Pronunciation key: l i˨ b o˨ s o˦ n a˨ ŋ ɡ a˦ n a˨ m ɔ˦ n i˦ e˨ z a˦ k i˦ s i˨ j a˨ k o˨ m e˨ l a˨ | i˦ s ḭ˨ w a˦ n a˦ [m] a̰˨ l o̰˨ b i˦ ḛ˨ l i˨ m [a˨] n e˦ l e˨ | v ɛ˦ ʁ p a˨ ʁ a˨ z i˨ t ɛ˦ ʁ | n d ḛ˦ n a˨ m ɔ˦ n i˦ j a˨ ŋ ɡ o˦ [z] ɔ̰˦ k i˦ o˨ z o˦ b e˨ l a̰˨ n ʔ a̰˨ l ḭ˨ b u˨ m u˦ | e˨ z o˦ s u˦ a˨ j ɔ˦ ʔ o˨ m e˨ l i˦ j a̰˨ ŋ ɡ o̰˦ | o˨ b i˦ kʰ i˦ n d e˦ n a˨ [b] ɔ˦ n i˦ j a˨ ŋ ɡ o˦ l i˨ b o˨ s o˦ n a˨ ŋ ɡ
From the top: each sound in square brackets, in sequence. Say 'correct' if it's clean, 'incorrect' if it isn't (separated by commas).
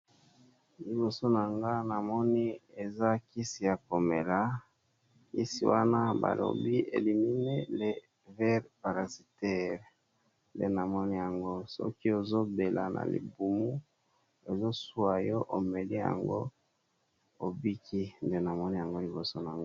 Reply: incorrect, incorrect, incorrect, incorrect